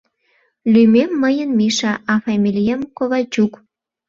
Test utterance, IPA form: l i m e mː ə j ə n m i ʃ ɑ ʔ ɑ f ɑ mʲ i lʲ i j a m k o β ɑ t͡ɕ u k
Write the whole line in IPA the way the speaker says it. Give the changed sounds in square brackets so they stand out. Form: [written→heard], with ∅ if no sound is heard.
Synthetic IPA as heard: l [i→y] m e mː ə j ə n m i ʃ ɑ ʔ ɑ f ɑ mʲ i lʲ i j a m k o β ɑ t͡ɕ u k